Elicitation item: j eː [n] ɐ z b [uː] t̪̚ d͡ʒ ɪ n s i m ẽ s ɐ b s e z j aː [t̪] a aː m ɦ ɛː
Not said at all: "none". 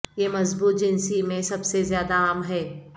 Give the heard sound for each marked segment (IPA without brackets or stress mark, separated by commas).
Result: m, uː, d̪